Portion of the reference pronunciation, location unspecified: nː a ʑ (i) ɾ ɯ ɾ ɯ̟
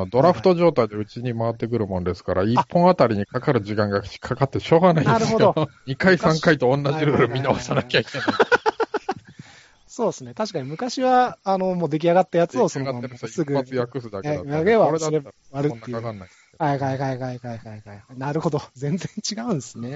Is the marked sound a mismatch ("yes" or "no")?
no